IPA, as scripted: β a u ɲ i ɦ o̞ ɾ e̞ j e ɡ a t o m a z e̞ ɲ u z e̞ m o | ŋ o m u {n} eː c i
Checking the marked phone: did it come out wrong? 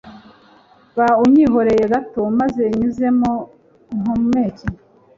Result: yes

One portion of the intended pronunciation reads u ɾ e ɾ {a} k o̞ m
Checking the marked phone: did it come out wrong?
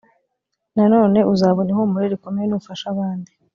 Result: yes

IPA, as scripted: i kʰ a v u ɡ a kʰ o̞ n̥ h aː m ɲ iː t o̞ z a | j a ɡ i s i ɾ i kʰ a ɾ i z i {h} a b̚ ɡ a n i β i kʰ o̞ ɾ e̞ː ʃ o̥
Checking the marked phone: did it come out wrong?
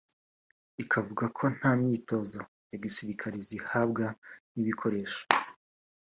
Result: no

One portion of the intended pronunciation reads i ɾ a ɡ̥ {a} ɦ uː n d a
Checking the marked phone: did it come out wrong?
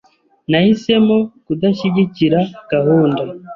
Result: no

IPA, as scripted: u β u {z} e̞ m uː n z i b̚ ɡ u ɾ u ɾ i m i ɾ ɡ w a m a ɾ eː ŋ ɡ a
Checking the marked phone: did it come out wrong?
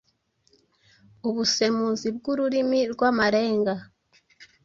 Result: yes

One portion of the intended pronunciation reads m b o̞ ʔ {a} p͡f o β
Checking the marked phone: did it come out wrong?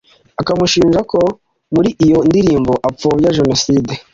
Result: no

